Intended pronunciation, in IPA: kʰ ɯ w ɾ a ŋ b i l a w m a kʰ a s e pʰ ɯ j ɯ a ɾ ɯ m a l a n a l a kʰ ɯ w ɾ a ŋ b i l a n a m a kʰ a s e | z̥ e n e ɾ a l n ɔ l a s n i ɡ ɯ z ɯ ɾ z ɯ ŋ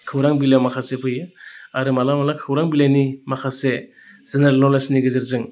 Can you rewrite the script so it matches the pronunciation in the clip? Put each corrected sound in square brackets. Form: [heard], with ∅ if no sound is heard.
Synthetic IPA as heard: kʰ ɯ w ɾ a ŋ b i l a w m a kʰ a s e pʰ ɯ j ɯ a ɾ ɯ m a l a [m] a l a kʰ ɯ w ɾ a ŋ b i l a n [i] m a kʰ a s e | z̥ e n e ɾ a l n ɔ l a s n i ɡ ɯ z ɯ ɾ z ɯ ŋ